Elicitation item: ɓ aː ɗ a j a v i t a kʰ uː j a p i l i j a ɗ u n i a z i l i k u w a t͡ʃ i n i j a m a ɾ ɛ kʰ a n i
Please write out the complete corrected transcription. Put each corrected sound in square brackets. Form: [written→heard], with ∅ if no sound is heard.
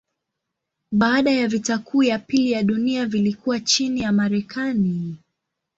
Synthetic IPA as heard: ɓ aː ɗ a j a v i t a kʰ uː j a p i l i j a ɗ u n i a [z→v] i l i k u w a t͡ʃ i n i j a m a ɾ ɛ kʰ a n i